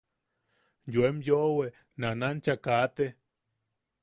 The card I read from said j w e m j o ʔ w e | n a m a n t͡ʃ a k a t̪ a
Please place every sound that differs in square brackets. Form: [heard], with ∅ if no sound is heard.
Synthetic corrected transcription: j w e m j o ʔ w e | n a [n] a n t͡ʃ a k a t̪ [e]